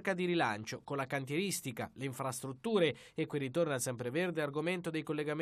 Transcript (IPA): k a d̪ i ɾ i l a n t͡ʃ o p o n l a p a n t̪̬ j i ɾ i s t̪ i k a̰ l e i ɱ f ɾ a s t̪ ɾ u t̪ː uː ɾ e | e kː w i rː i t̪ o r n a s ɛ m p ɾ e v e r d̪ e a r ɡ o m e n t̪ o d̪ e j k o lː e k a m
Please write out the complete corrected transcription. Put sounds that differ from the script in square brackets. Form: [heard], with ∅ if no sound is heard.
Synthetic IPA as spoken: k a d̪ i ɾ i l a n t͡ʃ o [k] o n l a [k] a n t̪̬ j [e] ɾ i s t̪ i k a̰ l e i ɱ f ɾ a s t̪ ɾ u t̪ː uː ɾ e | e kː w i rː i t̪ o r n a s ɛ m p ɾ e v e r d̪ e a r ɡ o m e n t̪ o d̪ e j k o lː e [ɡ] a m